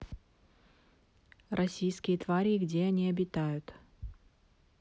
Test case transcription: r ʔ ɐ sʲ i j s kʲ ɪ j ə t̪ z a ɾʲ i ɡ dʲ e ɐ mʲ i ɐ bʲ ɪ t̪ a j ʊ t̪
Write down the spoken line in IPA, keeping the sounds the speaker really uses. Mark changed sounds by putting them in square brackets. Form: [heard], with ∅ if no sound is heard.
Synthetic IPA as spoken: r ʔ ɐ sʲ i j s kʲ ɪ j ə t̪ [v] a ɾʲ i ɡ dʲ e ɐ [nʲ] i ɐ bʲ ɪ t̪ a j ʊ t̪